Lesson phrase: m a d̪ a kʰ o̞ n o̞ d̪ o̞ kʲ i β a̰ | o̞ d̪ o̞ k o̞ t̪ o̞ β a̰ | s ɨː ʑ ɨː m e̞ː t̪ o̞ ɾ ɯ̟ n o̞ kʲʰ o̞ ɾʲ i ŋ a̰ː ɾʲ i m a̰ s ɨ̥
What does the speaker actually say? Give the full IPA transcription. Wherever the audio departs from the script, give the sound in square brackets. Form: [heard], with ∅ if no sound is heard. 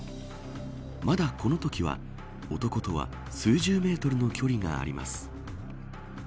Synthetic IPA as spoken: m a d̪ a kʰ o̞ n o̞ [t̪] o̞ kʲ i β a̰ | o̞ [t̪] o̞ k o̞ t̪ o̞ β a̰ | s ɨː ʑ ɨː m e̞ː t̪ o̞ ɾ ɯ̟ n o̞ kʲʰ o̞ ɾʲ i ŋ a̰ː ɾʲ i m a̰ s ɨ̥